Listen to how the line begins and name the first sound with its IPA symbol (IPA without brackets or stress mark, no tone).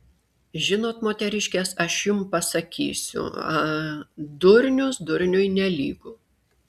ʒʲ